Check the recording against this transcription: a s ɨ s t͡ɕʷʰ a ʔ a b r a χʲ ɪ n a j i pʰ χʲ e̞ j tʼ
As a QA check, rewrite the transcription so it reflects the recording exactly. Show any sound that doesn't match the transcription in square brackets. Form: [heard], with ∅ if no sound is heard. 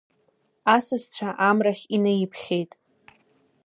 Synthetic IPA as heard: a s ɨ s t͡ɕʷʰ a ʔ a [m] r a χʲ [i] n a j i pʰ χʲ e̞ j tʼ